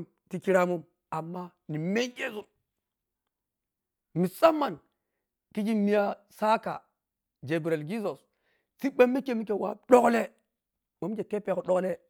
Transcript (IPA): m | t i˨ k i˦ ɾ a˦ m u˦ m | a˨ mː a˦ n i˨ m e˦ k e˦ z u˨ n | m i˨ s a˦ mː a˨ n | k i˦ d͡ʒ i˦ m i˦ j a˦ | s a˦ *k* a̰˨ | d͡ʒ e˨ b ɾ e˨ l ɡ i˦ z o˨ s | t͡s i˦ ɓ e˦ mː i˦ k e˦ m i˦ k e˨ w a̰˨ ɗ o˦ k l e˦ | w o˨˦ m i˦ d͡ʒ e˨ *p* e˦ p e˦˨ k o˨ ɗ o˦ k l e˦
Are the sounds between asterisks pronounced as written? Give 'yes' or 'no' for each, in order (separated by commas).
yes, no